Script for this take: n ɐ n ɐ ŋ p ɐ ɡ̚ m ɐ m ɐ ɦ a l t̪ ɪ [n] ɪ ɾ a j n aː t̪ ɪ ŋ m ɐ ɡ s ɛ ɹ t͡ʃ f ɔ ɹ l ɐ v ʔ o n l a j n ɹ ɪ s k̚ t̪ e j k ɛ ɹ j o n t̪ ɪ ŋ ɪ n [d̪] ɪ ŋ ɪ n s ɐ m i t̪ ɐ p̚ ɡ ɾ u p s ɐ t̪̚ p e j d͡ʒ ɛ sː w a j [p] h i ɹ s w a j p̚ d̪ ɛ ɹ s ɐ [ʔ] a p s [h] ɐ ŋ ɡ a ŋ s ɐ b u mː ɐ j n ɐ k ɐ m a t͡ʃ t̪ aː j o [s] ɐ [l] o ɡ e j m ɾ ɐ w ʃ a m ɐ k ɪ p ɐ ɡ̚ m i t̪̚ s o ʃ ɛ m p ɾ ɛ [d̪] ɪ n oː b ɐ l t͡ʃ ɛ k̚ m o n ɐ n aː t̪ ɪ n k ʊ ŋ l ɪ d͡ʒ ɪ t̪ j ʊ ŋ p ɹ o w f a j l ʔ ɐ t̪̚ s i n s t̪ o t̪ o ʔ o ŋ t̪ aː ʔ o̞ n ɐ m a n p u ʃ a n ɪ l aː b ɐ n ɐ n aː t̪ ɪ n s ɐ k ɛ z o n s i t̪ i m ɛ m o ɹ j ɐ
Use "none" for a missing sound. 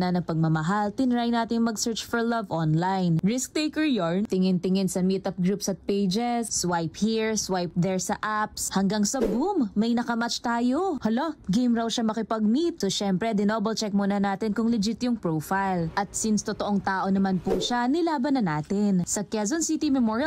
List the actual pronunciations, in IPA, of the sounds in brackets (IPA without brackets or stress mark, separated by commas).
n, t̪, p, ʔ, h, h, l, d̪